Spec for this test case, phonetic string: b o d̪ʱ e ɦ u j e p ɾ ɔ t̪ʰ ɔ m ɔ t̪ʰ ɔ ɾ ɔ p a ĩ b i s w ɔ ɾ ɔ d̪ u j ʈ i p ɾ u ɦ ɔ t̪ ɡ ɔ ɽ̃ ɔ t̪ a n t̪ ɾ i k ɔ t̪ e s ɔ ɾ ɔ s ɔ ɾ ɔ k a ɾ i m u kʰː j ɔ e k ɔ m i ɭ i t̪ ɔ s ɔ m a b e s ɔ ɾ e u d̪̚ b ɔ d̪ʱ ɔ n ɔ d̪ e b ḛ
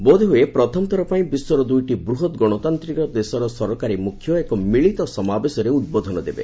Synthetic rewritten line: b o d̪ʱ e ɦ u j e p ɾ ɔ t̪ʰ ɔ m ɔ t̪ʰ ɔ ɾ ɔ p a ĩ b i s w ɔ ɾ ɔ d̪ u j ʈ i b ɾ u ɦ ɔ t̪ ɡ ɔ ɽ̃ ɔ t̪ a n t̪ ɾ i k ɔ d̪ e s ɔ ɾ ɔ s ɔ ɾ ɔ k a ɾ i m u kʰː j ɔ e k ɔ m i ɭ i t̪ ɔ s ɔ m a b e s ɔ ɾ e u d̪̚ b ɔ d̪ʱ ɔ n ɔ d̪ e b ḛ